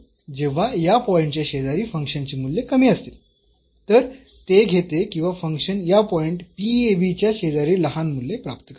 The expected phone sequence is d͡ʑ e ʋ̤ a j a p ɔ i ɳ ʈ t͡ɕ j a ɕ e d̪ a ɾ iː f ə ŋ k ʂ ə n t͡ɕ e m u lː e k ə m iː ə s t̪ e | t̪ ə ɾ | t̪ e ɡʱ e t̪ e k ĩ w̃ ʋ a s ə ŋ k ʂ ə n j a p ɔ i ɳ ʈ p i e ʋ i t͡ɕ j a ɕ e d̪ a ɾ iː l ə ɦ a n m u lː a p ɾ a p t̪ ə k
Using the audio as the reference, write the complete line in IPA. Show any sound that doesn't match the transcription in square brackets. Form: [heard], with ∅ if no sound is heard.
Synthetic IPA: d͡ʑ e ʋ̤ a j a p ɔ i ɳ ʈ t͡ɕ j a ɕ e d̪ a ɾ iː f ə ŋ k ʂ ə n t͡ɕ e m u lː e k ə m iː ə s t̪ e | t̪ ə ɾ | t̪ e ɡʱ e t̪ e k ĩ w̃ ʋ a [f] ə ŋ k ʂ ə n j a p ɔ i ɳ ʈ p i e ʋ i t͡ɕ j a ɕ e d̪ a ɾ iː l ə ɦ a n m u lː [e] p ɾ a p t̪ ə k